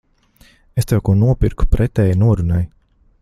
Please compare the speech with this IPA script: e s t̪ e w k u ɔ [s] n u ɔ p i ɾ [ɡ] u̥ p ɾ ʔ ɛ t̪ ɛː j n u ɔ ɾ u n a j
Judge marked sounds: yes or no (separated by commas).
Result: no, no